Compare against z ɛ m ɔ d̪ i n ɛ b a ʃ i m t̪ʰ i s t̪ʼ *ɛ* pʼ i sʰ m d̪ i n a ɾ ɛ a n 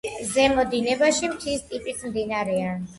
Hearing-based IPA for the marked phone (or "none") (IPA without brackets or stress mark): i